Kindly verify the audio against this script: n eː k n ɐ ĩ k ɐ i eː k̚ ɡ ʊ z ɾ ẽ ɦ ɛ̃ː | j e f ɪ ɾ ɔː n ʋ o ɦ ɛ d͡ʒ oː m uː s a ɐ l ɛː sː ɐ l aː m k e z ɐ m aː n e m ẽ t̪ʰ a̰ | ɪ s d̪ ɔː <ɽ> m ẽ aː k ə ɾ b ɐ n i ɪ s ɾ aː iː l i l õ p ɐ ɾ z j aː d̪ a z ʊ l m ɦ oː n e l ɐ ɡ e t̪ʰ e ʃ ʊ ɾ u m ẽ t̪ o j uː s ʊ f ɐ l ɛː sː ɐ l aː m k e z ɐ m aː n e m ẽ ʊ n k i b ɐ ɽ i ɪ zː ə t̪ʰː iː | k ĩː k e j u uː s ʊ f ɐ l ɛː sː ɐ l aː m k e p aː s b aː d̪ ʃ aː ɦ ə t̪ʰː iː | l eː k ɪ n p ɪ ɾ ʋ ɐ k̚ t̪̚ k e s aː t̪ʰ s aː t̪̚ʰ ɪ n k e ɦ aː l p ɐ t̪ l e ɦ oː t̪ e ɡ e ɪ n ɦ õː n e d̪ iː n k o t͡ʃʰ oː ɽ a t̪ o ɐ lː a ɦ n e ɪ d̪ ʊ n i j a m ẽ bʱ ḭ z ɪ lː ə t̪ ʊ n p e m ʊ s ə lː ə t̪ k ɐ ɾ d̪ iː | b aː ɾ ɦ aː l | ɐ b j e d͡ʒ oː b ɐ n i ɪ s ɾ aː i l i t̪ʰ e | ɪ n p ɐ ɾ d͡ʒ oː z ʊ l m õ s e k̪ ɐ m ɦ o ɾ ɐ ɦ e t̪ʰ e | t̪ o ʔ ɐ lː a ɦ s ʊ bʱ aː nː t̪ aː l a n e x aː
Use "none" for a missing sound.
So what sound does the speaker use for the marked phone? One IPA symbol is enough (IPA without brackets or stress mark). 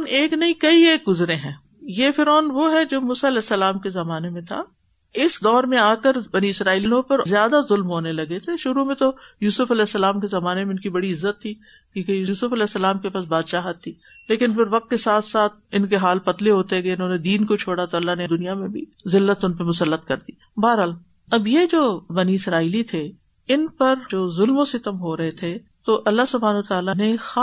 ɾ